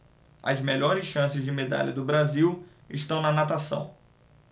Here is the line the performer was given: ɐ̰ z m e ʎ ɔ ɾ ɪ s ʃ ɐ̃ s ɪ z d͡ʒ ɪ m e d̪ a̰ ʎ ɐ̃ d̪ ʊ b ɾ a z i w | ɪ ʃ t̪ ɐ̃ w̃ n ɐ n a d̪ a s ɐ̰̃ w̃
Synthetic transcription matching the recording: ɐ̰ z m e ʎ ɔ ɾ ɪ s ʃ ɐ̃ s ɪ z d͡ʒ ɪ m e d̪ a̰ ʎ ɐ d̪ ʊ b ɾ a z i w | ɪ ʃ t̪ ɐ̃ w̃ n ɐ n a t̪ a s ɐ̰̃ w̃